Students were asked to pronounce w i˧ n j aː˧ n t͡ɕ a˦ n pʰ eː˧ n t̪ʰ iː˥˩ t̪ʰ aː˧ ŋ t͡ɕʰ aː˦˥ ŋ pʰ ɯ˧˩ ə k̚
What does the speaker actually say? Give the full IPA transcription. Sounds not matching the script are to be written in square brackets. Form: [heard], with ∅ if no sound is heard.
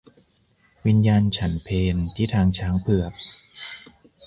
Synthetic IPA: w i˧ n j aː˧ n [t͡ɕʰ] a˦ n pʰ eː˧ n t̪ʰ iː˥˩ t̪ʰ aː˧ ŋ t͡ɕʰ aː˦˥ ŋ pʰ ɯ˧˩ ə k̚

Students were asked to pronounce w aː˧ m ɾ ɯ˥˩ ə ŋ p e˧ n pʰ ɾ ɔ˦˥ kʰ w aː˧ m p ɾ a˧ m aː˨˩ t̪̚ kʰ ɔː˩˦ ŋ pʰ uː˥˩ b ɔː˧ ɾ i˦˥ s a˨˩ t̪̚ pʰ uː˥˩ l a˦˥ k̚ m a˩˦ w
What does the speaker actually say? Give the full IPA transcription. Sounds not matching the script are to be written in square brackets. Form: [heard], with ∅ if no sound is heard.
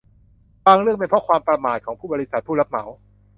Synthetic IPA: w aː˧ [ŋ] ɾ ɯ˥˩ ə ŋ p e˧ n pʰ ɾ ɔ˦˥ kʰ w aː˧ m p ɾ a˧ m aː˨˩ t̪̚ kʰ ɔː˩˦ ŋ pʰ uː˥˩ b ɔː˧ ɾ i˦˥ s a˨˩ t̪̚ pʰ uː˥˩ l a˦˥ [p̚] m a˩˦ w

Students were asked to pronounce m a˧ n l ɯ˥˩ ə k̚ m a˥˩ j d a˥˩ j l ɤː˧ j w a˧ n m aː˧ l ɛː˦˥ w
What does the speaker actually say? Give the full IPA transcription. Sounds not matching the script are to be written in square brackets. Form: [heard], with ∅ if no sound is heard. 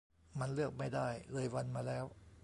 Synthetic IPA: m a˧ n l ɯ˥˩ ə k̚ m a˥˩ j d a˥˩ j l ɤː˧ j w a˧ n m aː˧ l ɛː˦˥ w

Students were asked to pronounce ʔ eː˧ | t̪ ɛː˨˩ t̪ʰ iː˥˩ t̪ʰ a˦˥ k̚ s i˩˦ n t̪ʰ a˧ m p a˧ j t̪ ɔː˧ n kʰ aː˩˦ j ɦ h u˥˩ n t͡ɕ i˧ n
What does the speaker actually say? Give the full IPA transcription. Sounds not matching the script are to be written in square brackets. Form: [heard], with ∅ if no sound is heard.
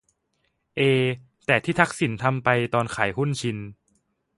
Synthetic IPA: ʔ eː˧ | t̪ ɛː˨˩ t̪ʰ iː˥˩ t̪ʰ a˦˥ k̚ s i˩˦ n t̪ʰ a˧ m p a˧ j t̪ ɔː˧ n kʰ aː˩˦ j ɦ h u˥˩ n [t͡ɕʰ] i˧ n

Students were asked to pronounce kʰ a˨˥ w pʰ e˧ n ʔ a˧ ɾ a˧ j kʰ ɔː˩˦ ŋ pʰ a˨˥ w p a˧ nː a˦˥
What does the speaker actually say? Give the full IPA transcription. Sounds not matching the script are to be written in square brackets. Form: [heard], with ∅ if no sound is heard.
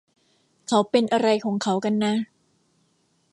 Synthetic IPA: kʰ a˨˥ w [p] e˧ n ʔ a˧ ɾ a˧ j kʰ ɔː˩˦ ŋ [kʰ] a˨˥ w [k] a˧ nː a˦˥

